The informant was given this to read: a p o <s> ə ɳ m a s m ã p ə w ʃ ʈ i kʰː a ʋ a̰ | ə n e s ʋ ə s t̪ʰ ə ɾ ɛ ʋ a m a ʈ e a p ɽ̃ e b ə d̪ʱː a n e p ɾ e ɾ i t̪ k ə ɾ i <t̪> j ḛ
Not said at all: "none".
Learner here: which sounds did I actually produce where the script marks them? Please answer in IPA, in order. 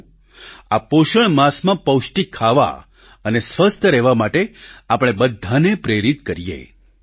ʃ, none

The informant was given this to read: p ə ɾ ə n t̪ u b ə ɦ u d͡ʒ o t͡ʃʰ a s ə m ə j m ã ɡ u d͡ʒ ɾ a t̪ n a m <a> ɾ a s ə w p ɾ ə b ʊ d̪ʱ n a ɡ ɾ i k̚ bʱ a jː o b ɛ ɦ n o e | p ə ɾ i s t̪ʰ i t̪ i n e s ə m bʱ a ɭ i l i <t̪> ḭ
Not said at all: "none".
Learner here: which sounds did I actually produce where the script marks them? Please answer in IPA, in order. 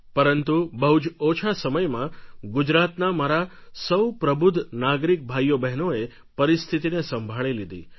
a, d̪

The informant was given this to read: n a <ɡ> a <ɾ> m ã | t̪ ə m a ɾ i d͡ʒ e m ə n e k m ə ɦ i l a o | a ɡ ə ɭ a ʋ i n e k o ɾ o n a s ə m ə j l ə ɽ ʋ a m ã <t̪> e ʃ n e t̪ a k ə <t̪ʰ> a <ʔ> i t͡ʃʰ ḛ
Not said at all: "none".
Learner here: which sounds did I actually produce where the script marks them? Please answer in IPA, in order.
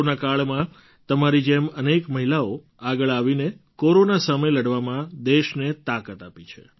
k, ɭ, d̪, t̪, p

